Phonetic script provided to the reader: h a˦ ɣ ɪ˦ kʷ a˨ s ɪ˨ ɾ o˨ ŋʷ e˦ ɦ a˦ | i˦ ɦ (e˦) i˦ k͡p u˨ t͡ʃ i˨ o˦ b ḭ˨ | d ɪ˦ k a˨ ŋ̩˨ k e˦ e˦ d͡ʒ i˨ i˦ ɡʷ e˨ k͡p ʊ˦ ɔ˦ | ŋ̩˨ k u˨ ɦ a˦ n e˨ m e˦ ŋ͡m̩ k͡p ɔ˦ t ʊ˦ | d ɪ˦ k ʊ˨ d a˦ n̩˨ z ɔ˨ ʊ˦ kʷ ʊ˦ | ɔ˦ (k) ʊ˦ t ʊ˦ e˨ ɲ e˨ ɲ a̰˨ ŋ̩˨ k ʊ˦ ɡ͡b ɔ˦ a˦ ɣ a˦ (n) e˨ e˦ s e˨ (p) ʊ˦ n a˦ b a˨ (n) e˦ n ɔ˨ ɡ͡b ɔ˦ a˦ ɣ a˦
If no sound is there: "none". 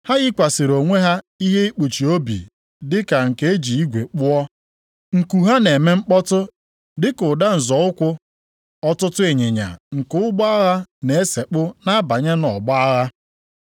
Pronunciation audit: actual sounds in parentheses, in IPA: e˦, t, n, k͡p, ɲ

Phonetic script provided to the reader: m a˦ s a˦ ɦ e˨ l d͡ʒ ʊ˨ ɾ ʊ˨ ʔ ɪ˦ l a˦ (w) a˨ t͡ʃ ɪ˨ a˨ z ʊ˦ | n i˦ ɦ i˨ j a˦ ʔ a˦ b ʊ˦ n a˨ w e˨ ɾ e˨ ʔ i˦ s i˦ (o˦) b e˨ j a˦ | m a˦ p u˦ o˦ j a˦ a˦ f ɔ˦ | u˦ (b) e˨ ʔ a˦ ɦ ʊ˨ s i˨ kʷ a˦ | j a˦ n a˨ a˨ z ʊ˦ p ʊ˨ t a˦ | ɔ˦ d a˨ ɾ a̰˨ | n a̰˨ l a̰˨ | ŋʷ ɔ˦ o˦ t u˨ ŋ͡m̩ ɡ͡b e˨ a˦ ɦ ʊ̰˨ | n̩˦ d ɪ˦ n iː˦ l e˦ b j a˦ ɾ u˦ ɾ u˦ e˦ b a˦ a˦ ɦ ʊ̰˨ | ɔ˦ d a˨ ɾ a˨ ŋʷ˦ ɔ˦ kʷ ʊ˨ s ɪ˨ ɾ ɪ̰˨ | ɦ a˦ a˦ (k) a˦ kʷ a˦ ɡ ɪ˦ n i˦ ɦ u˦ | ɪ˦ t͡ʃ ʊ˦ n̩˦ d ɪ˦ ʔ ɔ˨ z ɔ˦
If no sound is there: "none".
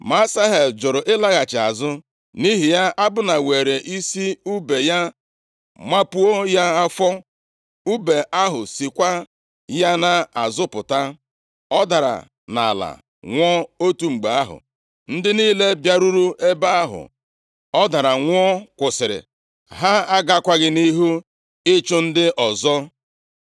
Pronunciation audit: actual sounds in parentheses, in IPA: ɣ, u˦, b, ɡ

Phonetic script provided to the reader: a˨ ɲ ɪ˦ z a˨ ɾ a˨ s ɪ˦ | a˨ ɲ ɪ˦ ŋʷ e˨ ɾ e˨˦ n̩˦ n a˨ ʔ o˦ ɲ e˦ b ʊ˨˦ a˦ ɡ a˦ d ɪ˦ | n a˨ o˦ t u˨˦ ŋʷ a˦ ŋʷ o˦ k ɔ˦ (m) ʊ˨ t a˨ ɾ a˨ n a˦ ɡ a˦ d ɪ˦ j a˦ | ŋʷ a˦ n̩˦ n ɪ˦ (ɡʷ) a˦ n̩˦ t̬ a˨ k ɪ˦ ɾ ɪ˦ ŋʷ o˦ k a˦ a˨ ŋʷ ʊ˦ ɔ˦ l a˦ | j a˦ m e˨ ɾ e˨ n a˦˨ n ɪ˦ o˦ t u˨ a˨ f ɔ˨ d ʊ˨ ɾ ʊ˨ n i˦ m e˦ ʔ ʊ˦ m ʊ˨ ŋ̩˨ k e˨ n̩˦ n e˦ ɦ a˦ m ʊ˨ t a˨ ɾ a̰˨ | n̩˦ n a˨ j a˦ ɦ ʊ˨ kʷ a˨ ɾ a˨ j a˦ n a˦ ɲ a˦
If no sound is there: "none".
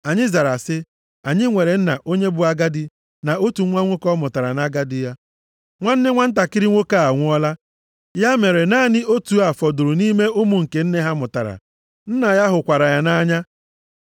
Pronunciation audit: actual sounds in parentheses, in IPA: m, ŋʷ

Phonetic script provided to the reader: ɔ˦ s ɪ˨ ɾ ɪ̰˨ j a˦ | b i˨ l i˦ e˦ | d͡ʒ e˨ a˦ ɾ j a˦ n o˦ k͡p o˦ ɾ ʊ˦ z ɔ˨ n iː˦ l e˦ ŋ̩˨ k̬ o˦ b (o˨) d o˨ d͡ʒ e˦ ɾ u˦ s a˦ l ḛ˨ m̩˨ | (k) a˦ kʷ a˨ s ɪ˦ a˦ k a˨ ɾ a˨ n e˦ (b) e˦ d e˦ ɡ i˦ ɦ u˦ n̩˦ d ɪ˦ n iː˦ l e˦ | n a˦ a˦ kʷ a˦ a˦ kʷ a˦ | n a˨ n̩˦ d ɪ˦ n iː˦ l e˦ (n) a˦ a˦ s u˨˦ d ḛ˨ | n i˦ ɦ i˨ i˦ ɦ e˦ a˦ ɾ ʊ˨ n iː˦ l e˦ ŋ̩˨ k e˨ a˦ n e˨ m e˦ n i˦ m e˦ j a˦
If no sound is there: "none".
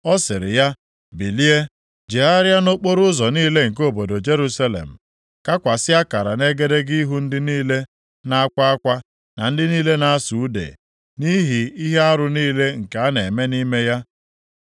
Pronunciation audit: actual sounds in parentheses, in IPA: o˨, k, ɡ, n

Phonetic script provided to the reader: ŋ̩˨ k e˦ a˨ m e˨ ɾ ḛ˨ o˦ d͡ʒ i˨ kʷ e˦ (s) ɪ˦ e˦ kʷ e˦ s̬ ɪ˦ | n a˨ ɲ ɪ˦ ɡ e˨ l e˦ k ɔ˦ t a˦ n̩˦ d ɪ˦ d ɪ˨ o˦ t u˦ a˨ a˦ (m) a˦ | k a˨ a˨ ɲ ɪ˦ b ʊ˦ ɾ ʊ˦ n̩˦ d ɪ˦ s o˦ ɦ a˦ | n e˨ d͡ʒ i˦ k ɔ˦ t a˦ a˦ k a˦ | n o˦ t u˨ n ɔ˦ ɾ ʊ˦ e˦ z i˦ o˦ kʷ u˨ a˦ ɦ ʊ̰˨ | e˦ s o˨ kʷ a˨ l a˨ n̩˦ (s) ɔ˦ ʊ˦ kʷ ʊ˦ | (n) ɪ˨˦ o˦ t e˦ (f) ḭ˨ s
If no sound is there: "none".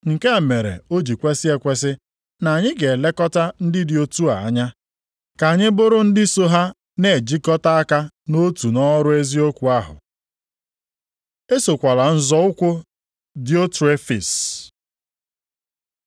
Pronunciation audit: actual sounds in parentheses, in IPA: s, ɲ, z, d, f

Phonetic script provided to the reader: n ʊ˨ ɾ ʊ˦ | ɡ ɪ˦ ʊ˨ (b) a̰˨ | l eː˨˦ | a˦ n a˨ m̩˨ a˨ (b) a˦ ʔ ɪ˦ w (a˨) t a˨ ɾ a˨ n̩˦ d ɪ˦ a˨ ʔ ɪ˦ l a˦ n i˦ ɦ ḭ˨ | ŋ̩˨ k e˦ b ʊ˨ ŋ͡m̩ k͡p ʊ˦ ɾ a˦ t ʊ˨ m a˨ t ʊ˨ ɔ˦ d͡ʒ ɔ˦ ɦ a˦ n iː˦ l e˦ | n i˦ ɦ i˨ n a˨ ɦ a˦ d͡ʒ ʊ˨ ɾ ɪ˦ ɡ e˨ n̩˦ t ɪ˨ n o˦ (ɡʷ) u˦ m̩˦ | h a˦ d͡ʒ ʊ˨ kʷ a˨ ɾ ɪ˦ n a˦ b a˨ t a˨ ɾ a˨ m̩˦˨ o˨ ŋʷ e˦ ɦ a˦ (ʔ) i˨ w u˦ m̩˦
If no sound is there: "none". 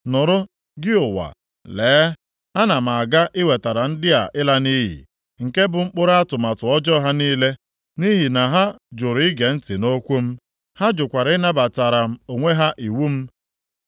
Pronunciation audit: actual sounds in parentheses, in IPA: w, ɡ, e˨, kʷ, ʔ

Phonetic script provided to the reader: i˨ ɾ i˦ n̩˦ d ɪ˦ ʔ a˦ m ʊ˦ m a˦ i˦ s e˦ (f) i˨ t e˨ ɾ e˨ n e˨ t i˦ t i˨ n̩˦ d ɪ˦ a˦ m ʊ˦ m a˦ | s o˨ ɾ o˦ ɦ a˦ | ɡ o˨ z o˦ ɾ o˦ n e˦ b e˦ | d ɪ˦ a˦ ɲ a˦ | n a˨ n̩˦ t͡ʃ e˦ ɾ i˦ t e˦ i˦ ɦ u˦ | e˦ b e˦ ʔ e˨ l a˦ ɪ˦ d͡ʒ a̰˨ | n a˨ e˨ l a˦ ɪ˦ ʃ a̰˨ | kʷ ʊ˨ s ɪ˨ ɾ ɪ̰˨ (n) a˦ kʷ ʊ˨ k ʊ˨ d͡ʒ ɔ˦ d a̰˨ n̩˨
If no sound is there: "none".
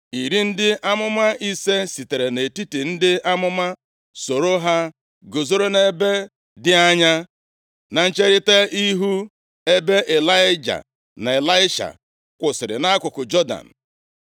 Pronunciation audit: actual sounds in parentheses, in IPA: s, n

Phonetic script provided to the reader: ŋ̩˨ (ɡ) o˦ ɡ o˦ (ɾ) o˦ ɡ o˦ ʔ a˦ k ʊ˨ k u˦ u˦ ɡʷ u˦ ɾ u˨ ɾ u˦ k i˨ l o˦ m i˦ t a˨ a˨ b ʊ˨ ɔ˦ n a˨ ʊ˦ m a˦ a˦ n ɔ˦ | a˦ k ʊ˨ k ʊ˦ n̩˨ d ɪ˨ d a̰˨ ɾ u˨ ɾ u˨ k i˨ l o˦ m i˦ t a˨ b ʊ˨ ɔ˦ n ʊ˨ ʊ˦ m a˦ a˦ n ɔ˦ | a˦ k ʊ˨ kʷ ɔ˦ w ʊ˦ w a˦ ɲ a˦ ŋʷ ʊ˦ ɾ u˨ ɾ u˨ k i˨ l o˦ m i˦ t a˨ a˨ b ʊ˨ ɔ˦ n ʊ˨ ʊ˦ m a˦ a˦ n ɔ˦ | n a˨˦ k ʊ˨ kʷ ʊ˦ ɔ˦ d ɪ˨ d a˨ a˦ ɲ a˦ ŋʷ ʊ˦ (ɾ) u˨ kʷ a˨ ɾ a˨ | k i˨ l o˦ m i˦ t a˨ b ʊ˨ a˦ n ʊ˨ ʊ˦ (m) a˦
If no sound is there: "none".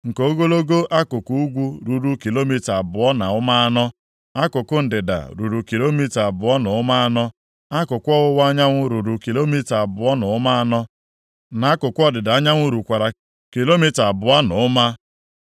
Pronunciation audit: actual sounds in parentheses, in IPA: k, l, ɾ, m

